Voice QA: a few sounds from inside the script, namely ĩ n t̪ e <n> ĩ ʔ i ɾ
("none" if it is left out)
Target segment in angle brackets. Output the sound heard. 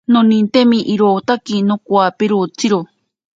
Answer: m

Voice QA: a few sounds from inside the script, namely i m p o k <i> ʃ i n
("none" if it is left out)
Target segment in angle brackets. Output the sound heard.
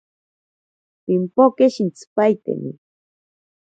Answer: e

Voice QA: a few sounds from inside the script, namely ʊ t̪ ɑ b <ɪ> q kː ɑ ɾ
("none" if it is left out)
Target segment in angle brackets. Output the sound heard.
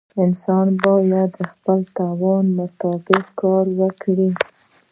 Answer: ɪ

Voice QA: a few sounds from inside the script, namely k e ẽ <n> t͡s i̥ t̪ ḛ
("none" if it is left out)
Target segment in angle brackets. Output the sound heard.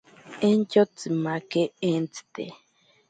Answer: n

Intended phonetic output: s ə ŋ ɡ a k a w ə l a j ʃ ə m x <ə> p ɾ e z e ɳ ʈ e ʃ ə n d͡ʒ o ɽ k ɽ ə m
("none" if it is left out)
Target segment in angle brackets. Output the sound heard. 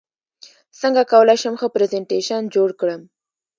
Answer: ə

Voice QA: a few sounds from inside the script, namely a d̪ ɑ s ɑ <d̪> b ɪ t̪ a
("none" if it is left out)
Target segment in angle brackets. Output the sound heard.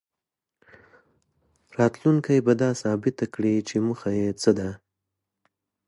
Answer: none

